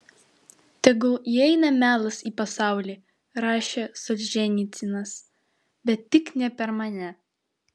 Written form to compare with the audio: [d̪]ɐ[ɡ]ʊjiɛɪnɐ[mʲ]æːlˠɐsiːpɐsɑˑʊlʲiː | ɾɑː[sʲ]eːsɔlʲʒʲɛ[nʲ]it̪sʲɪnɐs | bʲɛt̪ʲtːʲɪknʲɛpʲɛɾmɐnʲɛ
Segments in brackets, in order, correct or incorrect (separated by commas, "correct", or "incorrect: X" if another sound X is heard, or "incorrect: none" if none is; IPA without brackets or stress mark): incorrect: t̪, correct, correct, incorrect: ʃʲ, correct